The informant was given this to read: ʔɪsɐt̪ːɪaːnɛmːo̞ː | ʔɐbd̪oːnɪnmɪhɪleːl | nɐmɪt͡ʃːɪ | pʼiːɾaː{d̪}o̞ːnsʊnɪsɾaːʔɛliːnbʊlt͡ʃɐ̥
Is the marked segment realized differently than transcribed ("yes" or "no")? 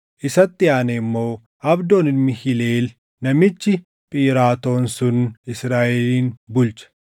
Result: yes